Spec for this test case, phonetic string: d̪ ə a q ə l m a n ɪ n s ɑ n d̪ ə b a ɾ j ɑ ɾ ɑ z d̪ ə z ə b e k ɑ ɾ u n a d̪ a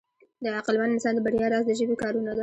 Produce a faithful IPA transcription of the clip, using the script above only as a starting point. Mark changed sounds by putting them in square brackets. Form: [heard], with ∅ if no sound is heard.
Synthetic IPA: d̪ ə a q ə l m a n ɪ n s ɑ n d̪ ə b a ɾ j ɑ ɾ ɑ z d̪ ə [ʒ] ə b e k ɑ ɾ u n a d̪ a